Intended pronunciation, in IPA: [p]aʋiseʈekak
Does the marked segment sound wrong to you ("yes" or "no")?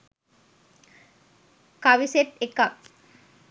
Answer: yes